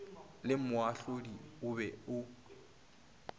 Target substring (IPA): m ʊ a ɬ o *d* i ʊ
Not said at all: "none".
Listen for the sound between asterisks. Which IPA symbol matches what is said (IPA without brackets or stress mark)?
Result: d